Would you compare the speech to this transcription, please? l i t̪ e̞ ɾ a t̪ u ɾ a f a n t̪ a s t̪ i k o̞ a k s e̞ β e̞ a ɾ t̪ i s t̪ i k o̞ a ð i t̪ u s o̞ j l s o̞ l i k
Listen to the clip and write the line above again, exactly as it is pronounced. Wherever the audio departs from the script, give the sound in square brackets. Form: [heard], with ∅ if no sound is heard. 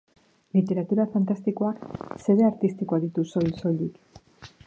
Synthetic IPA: l i t̪ e̞ ɾ a t̪ u ɾ a f a n t̪ a s t̪ i k o̞ a k s e̞ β e̞ a ɾ t̪ i s t̪ i k o̞ a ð i t̪ u s o̞ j l s o̞ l i k